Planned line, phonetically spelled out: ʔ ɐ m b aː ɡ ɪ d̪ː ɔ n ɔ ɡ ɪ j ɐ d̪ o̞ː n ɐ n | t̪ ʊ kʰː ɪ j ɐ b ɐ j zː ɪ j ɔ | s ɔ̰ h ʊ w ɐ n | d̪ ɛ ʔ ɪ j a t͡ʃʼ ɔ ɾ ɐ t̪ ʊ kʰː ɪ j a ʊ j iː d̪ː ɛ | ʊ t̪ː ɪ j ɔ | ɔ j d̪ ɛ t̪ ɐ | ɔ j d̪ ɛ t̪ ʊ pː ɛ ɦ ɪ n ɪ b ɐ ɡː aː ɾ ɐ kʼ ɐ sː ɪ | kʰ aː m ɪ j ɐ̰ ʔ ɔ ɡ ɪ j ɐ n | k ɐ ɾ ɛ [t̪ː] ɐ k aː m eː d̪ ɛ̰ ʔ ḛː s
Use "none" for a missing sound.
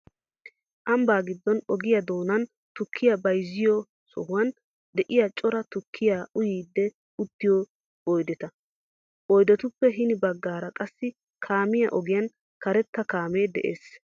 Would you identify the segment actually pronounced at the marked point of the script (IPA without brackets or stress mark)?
t̪ː